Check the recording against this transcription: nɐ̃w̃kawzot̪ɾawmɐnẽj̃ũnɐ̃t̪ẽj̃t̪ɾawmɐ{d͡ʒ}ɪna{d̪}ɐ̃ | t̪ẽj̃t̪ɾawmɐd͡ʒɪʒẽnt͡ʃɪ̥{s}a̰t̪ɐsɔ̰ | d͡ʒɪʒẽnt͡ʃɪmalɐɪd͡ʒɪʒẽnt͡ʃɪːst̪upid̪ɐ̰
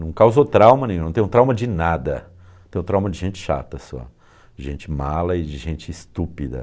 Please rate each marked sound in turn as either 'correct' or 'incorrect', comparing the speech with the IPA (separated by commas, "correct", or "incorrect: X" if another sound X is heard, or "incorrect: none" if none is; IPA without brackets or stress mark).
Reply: correct, correct, incorrect: ʃ